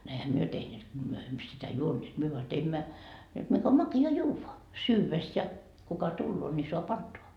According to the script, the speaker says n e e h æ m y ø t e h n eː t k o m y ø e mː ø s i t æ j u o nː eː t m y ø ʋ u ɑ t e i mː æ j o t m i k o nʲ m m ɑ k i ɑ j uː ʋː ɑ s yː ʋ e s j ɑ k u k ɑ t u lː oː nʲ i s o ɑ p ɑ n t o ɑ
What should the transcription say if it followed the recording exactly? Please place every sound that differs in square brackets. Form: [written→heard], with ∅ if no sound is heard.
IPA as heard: n e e h æ m y ø t e h n eː t k o m y ø e mː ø s i t æ j u o nː eː t m y ø ʋ [u→o] ɑ t e i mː æ j o t m i k o [nʲ→∅] m m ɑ k i ɑ j uː ʋː ɑ s yː ʋ e s j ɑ k u k ɑ t u lː oː nʲ i s o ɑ p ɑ n t o ɑ